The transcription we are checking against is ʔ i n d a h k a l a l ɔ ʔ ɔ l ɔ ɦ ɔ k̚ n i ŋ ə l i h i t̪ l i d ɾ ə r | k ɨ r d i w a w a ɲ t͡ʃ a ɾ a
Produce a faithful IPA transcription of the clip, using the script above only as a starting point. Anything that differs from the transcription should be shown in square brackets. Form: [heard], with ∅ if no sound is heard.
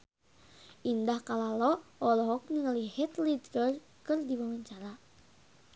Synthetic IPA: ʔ i n d a h k a l a l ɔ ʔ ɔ l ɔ ɦ ɔ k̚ n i ŋ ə l i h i t̪ l i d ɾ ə r | k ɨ r d i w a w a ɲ t͡ʃ a ɾ a